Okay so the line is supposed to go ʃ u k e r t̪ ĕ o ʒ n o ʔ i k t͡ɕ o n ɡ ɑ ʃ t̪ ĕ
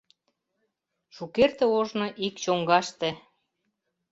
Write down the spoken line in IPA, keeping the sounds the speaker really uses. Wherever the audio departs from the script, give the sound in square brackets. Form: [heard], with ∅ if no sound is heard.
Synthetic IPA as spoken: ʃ u k e r t̪ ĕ o ʒ n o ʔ i k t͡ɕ o [ŋ] ɡ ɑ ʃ t̪ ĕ